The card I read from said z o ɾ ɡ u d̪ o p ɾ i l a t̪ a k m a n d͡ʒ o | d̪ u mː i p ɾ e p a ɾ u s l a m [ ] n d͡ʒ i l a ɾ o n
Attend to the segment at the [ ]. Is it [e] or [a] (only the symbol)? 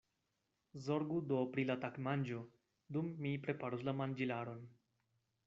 a